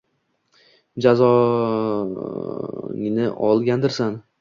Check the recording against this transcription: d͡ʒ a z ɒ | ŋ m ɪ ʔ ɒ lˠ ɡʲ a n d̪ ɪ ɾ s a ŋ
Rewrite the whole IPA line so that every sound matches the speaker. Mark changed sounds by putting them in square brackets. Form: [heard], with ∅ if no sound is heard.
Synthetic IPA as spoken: d͡ʒ a z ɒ | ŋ [n] ɪ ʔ ɒ lˠ ɡʲ a n d̪ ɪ ɾ s a [n]